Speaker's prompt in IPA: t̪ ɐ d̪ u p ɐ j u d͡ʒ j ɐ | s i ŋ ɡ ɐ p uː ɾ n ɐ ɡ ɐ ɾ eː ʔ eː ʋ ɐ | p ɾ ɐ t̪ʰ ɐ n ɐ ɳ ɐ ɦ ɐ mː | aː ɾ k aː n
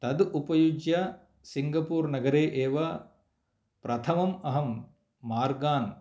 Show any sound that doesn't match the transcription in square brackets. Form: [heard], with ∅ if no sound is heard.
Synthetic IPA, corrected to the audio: t̪ ɐ d̪ u p ɐ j u d͡ʒ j ɐ | s i ŋ ɡ ɐ p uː ɾ n ɐ ɡ ɐ ɾ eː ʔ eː ʋ ɐ | p ɾ ɐ t̪ʰ ɐ [m] ɐ [m] ɐ ɦ ɐ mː | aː ɾ [ɡ] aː n

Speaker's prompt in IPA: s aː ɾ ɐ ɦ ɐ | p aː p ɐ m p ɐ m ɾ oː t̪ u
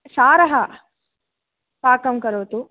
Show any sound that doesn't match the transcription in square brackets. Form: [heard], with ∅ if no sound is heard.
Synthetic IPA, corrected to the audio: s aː ɾ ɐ ɦ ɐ | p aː [k] ɐ m [k] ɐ [∅] ɾ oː t̪ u

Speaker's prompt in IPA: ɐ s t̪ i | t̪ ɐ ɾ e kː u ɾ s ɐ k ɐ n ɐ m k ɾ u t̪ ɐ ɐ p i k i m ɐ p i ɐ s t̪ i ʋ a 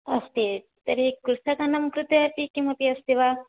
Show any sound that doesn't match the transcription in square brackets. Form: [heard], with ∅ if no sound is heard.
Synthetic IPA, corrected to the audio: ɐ s t̪ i | t̪ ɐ ɾ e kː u ɾ s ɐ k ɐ n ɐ m k ɾ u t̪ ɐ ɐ p i k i m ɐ p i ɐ s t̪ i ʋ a

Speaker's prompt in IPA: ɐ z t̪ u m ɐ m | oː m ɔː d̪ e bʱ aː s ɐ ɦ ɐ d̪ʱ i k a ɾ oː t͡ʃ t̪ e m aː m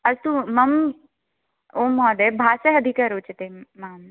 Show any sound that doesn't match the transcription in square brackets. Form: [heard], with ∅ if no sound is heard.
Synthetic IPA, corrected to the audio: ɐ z t̪ u m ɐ m | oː m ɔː d̪ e bʱ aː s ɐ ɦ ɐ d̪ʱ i k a ɾ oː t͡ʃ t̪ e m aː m

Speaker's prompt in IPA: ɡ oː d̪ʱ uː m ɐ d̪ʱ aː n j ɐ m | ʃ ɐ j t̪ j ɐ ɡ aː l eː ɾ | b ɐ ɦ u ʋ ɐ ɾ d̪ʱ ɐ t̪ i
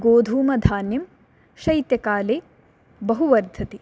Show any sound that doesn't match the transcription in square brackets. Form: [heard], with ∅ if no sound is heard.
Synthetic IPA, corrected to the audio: ɡ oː d̪ʱ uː m ɐ d̪ʱ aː n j ɐ m | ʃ ɐ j t̪ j ɐ [k] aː l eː [∅] | b ɐ ɦ u ʋ ɐ ɾ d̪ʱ ɐ t̪ i

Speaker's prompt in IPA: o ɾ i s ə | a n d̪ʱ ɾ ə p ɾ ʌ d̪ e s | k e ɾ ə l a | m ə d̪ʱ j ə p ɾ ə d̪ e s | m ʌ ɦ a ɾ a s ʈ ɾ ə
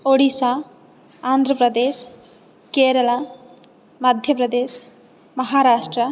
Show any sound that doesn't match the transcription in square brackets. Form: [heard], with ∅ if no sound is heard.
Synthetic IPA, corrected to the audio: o [ɽ] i s [a] | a n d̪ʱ ɾ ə p ɾ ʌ d̪ e s | k e ɾ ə l a | m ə d̪ʱ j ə p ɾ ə d̪ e s | m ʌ ɦ a ɾ a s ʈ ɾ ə

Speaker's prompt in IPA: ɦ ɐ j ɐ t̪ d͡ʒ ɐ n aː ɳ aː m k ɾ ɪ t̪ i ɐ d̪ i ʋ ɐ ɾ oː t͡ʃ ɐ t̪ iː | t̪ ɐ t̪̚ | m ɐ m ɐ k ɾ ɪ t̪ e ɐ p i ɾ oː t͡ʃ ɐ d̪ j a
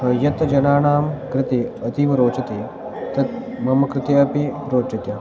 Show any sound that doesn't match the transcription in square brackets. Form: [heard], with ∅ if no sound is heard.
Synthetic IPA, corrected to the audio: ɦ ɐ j ɐ t̪ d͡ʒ ɐ n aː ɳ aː m k ɾ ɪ t̪ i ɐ [t̪] i ʋ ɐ ɾ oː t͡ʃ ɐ t̪ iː | t̪ ɐ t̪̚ | m ɐ m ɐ k ɾ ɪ t̪ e ɐ p i ɾ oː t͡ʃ ɐ [t̪] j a

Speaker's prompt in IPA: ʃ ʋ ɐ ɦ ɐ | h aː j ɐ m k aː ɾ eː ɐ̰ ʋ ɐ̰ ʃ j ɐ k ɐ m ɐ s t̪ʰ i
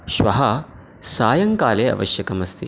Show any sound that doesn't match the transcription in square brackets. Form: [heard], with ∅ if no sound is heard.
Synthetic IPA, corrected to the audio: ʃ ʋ ɐ ɦ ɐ | [s] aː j ɐ [ŋ] k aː [l] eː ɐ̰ ʋ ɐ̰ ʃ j ɐ k ɐ m ɐ s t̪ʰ i

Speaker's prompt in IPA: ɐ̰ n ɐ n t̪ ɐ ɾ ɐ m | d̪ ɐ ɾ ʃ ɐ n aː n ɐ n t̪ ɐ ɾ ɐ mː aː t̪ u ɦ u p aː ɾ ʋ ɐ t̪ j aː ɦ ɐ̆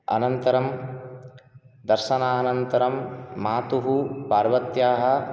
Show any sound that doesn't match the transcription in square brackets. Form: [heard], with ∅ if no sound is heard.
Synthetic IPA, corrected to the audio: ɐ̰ n ɐ n t̪ ɐ ɾ ɐ m | d̪ ɐ ɾ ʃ ɐ n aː n ɐ n t̪ ɐ ɾ ɐ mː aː t̪ u ɦ u p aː ɾ ʋ ɐ t̪ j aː ɦ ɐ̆

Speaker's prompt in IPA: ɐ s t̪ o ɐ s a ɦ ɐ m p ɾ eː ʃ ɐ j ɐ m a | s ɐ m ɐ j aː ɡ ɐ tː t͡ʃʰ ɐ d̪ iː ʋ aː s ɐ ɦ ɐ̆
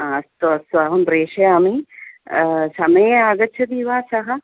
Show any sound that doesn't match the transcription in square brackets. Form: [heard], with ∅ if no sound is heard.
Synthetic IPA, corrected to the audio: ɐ s t̪ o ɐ s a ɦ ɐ m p ɾ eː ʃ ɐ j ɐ m [i] | s ɐ m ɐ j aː ɡ ɐ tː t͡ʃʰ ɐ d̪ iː ʋ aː s ɐ ɦ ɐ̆

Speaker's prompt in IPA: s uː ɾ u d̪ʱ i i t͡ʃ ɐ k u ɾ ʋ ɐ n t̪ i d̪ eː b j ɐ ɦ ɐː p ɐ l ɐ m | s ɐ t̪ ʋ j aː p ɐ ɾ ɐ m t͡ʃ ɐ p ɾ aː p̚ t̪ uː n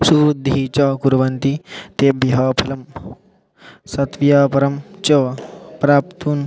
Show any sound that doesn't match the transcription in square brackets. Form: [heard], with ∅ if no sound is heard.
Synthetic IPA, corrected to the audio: s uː ɾ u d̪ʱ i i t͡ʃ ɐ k u ɾ ʋ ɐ n t̪ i [t̪] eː b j ɐ ɦ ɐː [pʰ] ɐ l ɐ m | s ɐ t̪ ʋ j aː p ɐ ɾ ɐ m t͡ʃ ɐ p ɾ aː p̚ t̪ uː n

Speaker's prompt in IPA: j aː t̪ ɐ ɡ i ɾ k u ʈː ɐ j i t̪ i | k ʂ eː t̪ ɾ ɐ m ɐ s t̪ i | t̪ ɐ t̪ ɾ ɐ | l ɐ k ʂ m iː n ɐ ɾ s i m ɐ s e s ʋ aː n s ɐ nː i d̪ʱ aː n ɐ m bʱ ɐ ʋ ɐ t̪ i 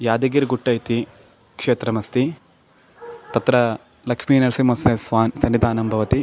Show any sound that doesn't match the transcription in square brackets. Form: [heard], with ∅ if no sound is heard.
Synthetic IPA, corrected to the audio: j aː [d̪] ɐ ɡ i ɾ [ɡ] u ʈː ɐ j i t̪ i | k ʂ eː t̪ ɾ ɐ m ɐ s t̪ i | t̪ ɐ t̪ ɾ ɐ | l ɐ k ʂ m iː n ɐ ɾ s i m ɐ s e s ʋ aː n s ɐ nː i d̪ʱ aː n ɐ m bʱ ɐ ʋ ɐ t̪ i

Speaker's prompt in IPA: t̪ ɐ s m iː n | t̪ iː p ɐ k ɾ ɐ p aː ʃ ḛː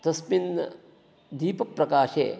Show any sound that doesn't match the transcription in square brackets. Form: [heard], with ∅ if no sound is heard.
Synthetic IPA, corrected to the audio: t̪ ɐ s m [i] n | [d̪] iː p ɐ [p] ɾ ɐ [k] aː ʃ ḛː

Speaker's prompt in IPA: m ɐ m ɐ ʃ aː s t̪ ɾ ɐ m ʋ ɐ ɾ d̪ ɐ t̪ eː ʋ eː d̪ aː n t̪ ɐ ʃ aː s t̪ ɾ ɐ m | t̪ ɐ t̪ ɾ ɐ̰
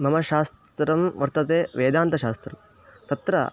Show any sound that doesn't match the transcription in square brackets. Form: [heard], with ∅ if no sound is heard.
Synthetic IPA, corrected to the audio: m ɐ m ɐ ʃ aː s t̪ ɾ ɐ m ʋ ɐ ɾ [t̪] ɐ t̪ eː ʋ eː d̪ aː n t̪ ɐ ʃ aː s t̪ ɾ ɐ m | t̪ ɐ t̪ ɾ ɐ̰

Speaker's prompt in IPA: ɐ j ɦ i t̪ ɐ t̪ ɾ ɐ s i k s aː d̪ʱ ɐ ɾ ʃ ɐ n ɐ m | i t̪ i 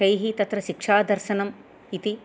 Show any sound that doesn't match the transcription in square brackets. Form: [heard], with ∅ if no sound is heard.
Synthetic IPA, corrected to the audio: ɐ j ɦ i t̪ ɐ t̪ ɾ ɐ [ʃ] i k [ʂ] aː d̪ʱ ɐ ɾ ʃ ɐ n ɐ m | i t̪ i

